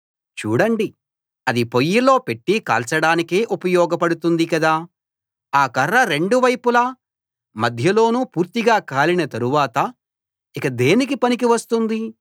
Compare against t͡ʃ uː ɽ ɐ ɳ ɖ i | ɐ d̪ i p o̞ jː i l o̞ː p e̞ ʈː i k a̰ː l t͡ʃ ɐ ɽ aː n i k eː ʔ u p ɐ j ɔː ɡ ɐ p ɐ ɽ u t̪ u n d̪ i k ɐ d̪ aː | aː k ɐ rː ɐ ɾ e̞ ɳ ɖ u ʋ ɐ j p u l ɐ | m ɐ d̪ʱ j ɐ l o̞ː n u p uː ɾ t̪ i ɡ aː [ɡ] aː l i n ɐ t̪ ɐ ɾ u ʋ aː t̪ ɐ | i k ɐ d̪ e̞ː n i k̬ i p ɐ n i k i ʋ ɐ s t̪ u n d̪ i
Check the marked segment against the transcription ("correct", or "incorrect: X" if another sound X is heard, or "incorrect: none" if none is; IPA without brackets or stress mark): incorrect: k